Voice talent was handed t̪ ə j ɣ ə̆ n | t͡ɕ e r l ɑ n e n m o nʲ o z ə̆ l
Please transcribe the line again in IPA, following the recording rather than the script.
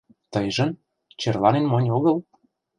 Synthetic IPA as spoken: t̪ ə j ʒ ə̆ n | t͡ɕ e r l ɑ n e n m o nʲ o ɣ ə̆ l